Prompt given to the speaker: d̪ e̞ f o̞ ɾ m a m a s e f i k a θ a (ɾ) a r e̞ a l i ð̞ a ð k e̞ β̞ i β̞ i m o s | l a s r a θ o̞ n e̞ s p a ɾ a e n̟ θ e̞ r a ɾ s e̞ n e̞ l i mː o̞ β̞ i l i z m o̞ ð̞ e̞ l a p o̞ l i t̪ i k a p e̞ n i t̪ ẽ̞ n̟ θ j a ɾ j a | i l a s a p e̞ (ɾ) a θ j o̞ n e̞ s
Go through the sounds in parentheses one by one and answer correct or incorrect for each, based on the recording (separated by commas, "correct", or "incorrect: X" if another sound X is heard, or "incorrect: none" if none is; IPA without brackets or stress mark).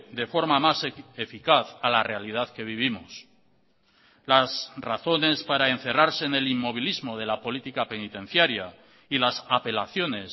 incorrect: l, incorrect: l